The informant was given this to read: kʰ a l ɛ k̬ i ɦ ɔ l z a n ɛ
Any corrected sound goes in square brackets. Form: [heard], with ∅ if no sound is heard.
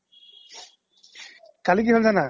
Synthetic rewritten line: [k] a l [i] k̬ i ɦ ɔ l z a n [a]